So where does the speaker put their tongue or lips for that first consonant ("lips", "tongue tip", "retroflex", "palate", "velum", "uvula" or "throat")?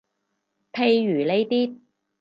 lips